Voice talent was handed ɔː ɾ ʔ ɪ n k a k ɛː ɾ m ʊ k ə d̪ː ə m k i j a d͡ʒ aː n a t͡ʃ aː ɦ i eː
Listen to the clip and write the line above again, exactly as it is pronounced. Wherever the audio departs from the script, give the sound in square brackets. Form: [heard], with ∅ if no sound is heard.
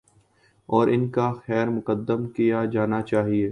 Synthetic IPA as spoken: ɔː ɾ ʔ ɪ n k a [x] ɛː ɾ m ʊ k ə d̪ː ə m k i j a d͡ʒ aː n a t͡ʃ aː ɦ i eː